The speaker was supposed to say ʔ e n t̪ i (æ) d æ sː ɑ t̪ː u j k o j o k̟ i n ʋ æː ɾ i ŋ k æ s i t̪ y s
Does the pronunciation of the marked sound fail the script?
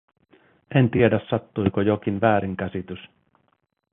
yes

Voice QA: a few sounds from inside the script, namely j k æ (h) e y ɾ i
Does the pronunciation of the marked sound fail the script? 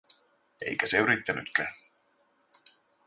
yes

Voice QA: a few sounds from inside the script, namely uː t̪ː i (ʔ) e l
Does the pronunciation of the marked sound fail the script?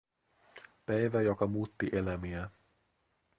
no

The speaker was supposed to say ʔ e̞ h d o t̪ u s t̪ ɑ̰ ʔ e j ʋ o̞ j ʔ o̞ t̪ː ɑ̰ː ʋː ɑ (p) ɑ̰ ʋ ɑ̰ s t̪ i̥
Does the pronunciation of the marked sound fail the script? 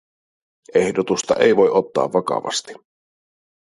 yes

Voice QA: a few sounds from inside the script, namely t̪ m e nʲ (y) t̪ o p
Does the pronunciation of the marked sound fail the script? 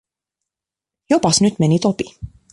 yes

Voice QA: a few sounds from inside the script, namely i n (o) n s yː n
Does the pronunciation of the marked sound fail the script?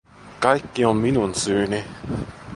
yes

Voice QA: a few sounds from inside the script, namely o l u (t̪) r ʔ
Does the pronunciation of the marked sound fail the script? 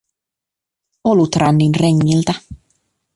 no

